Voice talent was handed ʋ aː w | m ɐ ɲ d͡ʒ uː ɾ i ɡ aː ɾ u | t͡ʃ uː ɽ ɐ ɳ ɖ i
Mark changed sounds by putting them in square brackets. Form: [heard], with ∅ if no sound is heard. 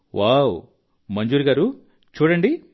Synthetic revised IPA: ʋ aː w | m ɐ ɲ d͡ʒ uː ɾ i ɡ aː ɾ u | t͡ʃ uː ɽ ɐ ɳ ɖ i